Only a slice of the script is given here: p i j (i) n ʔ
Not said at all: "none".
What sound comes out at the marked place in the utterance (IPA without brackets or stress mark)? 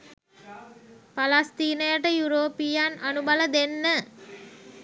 a